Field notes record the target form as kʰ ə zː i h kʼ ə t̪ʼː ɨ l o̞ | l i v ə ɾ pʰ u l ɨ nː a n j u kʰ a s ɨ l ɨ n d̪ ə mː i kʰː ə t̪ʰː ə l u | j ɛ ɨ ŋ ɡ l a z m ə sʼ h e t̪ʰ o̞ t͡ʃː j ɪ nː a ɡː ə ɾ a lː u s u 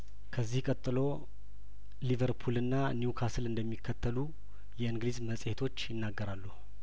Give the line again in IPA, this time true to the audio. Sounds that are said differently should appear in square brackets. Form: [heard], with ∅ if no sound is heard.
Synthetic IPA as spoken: kʰ ə zː i h kʼ ə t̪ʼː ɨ l o̞ | l i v ə ɾ pʰ u l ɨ nː a n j u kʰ a s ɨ l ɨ n d̪ ə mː i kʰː ə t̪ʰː ə l u | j ɛ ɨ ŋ ɡ l [i] z m ə sʼ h e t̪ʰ o̞ t͡ʃː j ɪ nː a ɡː ə ɾ a lː u [h] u